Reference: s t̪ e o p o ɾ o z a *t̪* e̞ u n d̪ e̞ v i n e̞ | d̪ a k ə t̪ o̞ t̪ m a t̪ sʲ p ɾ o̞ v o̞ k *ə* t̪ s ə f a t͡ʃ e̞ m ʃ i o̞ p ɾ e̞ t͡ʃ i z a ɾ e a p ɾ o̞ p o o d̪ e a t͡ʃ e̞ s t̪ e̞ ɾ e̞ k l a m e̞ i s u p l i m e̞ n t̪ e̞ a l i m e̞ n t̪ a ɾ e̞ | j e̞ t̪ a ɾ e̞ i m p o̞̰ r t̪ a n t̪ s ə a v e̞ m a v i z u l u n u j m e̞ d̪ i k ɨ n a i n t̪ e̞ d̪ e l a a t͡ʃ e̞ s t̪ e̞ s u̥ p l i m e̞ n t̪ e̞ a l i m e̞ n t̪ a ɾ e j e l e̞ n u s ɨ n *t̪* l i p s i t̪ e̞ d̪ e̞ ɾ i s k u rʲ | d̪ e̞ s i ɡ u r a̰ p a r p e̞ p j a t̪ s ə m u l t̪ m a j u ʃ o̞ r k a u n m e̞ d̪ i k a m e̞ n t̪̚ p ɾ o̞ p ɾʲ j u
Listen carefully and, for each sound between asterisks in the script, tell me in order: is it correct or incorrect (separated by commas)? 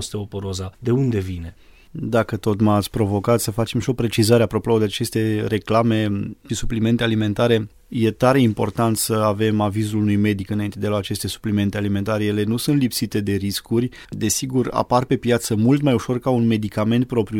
incorrect, incorrect, correct